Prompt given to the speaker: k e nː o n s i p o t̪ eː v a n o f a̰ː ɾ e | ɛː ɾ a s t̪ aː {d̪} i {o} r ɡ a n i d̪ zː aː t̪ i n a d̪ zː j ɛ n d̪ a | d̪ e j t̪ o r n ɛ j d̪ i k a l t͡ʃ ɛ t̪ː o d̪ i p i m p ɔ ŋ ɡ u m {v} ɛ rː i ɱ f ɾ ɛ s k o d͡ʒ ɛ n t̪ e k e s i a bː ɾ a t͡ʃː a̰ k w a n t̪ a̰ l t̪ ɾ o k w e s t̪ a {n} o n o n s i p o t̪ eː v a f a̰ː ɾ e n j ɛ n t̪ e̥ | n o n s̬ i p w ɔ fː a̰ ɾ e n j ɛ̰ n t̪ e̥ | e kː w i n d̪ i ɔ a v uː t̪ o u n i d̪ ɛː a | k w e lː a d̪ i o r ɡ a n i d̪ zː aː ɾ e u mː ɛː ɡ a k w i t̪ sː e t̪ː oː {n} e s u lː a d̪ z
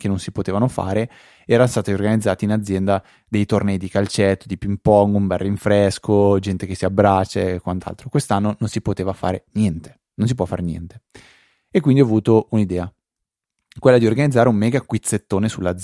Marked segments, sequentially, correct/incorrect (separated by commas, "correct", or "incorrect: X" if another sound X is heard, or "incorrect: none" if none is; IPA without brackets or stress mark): incorrect: t̪, correct, incorrect: b, incorrect: nː, correct